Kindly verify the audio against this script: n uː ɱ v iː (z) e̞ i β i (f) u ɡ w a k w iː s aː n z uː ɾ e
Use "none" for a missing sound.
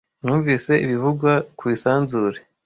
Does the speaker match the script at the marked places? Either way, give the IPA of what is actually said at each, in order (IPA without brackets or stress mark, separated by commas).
s, v